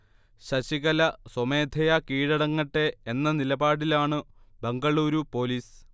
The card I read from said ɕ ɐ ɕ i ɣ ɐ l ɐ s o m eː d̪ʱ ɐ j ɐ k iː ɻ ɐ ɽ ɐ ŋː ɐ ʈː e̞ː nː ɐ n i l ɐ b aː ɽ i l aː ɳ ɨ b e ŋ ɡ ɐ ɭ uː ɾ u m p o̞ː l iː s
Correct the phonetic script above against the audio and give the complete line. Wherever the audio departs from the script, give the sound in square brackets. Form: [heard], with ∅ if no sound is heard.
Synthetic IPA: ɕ ɐ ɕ i ɣ ɐ l ɐ s o m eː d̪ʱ ɐ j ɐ k iː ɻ ɐ ɽ ɐ ŋː ɐ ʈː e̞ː nː ɐ n i l ɐ b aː ɽ i l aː ɳ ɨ b e ŋ ɡ ɐ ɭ uː ɾ u [∅] p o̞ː l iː s